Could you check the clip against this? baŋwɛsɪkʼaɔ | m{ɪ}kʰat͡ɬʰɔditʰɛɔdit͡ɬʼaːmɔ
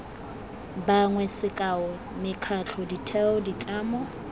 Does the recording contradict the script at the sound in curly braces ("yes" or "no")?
no